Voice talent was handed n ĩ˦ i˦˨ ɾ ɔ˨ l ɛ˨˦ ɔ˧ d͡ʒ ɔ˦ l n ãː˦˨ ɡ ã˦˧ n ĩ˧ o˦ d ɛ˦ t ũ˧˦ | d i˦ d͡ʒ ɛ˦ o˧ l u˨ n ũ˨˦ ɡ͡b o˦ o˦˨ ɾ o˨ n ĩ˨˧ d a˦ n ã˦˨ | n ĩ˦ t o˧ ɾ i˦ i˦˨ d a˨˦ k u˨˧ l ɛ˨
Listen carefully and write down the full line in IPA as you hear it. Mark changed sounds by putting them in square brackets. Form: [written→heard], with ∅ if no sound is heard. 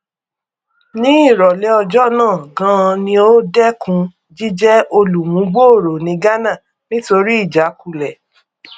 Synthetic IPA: n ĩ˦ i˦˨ ɾ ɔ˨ l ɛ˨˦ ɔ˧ d͡ʒ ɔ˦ [l→∅] n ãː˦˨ ɡ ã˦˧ n ĩ˧ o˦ d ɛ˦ [t→k] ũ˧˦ | [d→d͡ʒ] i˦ d͡ʒ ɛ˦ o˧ l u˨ [n→m] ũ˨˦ ɡ͡b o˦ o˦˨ ɾ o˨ n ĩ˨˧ [d→ɡ] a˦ n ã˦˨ | n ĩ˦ t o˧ ɾ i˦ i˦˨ [d→d͡ʒ] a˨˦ k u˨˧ l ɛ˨